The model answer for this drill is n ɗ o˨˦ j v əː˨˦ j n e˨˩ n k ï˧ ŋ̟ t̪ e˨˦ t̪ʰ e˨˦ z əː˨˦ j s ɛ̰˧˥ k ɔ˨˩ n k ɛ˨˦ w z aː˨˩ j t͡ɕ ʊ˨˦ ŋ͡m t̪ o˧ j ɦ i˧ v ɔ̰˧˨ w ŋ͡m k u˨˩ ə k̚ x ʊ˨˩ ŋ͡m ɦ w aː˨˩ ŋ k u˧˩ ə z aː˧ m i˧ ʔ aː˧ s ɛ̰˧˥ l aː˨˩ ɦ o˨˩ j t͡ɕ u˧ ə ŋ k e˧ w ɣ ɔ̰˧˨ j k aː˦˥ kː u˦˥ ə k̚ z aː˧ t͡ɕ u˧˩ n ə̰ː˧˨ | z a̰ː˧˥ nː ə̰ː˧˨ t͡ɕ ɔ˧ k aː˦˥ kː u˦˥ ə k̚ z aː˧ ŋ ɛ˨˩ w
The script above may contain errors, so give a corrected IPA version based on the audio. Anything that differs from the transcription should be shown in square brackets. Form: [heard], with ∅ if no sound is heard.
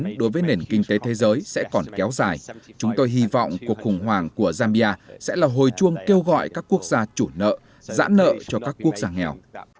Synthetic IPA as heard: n ɗ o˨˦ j v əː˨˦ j n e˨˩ n k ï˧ ŋ̟ t̪ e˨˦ t̪ʰ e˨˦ z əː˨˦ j s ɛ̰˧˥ k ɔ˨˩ n k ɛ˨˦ w z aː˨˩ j t͡ɕ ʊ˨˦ ŋ͡m t̪ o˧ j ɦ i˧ v ɔ̰˧˨ w ŋ͡m k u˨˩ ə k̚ x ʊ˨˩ ŋ͡m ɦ w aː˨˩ ŋ k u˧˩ ə z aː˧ m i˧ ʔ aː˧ s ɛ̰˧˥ l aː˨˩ ɦ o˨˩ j t͡ɕ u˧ ə ŋ k e˧ w ɣ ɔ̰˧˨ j k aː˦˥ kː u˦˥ ə k̚ z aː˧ t͡ɕ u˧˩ n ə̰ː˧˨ | z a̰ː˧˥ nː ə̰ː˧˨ t͡ɕ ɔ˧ k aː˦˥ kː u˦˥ ə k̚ z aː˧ ŋ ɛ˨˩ w